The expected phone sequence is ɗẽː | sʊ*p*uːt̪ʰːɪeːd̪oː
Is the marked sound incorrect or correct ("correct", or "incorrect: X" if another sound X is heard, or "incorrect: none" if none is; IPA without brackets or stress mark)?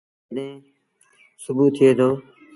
incorrect: b